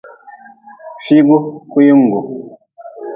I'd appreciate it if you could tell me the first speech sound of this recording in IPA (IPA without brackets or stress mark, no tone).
f